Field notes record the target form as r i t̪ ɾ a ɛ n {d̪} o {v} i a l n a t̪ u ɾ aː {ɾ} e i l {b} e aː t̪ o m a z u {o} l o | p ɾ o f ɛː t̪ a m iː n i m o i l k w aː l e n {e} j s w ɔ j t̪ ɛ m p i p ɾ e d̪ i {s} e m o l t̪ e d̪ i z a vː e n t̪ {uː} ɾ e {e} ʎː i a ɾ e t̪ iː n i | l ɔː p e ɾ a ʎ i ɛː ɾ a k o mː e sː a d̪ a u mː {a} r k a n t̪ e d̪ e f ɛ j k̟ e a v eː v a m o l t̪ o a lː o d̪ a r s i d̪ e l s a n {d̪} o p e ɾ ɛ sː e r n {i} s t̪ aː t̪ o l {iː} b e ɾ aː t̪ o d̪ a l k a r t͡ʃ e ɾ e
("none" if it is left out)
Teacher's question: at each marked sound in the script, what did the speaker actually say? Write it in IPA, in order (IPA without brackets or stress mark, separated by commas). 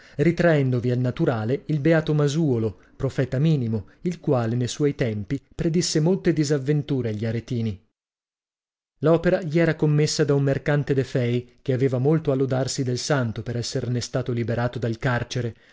d̪, v, l, b, o, e, sː, uː, a, e, t̪, e, i